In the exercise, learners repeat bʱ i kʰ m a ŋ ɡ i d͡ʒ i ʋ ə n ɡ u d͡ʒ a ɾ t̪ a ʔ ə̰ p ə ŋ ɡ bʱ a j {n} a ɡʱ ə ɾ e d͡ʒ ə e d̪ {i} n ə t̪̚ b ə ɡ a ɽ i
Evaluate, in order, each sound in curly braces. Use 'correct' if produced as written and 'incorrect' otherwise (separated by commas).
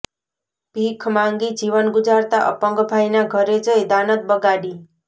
correct, incorrect